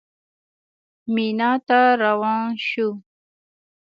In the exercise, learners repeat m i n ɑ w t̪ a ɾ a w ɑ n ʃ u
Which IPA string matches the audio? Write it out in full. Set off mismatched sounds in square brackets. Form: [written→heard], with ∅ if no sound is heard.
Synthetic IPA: m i n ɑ [w→∅] t̪ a ɾ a w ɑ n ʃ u

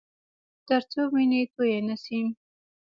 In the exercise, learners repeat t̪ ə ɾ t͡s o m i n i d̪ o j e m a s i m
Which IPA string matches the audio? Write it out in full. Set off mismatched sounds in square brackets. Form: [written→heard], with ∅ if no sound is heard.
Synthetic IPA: t̪ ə ɾ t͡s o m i n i [d̪→t̪] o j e [m→n] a s i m

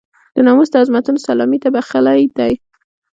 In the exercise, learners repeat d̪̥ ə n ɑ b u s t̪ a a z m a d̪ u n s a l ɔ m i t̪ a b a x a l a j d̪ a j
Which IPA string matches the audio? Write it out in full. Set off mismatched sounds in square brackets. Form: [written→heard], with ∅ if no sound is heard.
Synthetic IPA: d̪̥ ə n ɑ [b→m] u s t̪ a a z m a [d̪→t̪] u n s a l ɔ m i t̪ a b a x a l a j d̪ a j

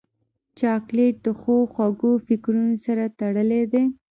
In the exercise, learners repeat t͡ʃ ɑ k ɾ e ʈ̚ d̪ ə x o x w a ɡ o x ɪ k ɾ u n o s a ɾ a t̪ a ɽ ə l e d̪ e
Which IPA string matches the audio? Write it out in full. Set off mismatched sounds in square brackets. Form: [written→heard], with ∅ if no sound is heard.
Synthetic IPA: t͡ʃ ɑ k [ɾ→l] e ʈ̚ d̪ ə x o x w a ɡ o [x→f] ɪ k ɾ u n o s a ɾ a t̪ a ɽ ə l e d̪ e

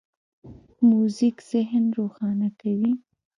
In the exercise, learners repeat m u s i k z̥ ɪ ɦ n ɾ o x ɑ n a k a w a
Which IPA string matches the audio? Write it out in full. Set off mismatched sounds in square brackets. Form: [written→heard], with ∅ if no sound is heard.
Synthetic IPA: m u [s→z] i k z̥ ɪ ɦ n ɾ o x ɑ n a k a w [a→i]

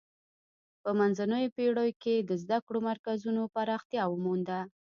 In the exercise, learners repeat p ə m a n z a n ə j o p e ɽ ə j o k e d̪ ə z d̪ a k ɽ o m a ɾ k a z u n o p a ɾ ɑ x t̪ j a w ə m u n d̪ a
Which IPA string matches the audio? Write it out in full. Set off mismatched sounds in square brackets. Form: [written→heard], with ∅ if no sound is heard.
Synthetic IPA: p ə m a n z a n ə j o p e ɽ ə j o k e d̪ ə z d̪ a k ɽ o m a ɾ k a z u n o p a ɾ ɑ x t̪ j [a→ɑ] w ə m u n d̪ a

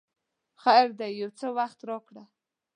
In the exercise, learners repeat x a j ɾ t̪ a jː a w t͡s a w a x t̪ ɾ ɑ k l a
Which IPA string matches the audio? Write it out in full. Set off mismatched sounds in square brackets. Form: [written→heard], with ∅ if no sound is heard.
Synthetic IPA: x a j ɾ [t̪→d̪] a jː a w t͡s [a→ə] w a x t̪ ɾ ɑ k [l→ɽ] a

